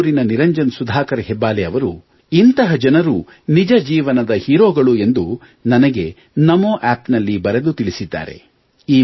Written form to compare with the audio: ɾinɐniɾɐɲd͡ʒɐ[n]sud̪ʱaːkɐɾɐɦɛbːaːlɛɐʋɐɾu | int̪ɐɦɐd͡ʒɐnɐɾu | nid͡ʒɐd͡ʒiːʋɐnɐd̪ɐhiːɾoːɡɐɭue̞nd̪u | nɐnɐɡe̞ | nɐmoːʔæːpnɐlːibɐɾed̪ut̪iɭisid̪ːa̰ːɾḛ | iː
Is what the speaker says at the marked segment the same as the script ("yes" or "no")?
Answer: yes